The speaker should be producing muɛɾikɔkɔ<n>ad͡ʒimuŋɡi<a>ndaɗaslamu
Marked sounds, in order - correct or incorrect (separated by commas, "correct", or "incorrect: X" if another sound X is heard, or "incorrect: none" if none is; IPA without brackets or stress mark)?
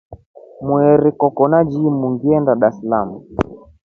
correct, incorrect: ɛ